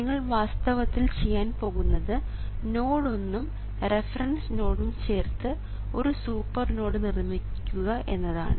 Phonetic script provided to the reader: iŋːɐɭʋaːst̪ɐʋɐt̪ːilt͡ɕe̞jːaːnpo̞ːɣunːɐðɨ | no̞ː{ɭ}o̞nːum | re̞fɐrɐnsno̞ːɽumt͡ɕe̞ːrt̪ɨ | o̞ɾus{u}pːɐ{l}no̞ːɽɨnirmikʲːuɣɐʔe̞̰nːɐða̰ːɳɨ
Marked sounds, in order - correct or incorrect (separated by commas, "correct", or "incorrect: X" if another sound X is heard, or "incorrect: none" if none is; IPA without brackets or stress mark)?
incorrect: ɽ, incorrect: uː, incorrect: r